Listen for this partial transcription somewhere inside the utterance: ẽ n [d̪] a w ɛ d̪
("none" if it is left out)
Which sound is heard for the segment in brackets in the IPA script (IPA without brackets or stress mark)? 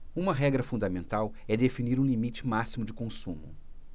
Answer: t̪